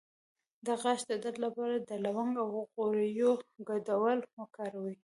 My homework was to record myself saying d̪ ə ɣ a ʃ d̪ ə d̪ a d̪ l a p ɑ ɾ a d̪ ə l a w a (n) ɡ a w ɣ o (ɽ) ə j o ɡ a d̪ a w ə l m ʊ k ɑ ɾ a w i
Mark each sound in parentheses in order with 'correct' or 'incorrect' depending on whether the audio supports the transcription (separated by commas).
incorrect, incorrect